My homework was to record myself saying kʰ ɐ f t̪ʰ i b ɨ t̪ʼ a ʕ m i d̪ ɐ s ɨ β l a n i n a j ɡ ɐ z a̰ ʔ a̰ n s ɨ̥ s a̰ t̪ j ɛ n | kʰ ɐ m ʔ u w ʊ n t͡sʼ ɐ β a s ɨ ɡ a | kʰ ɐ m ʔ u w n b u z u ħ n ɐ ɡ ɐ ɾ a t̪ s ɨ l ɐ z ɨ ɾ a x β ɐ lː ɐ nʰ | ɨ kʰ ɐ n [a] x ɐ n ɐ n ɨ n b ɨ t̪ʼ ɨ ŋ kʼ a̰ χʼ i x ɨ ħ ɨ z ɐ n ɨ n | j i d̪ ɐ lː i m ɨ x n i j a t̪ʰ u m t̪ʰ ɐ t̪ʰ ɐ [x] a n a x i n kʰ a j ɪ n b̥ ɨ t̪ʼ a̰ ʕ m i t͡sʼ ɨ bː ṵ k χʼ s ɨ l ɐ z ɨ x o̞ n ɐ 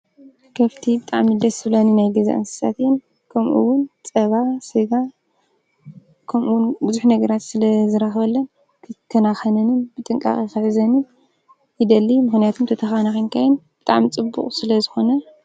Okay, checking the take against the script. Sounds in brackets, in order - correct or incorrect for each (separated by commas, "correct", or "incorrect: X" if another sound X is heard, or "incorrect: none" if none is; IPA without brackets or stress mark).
correct, correct